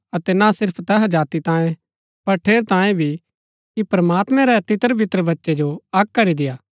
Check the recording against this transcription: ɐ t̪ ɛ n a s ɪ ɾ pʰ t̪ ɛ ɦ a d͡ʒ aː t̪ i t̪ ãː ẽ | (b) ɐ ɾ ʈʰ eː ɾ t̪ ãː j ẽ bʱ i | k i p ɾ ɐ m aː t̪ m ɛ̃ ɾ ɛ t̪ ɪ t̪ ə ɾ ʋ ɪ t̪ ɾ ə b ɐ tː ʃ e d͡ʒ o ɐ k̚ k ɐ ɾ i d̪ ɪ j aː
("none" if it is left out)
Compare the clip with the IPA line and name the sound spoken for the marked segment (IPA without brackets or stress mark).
p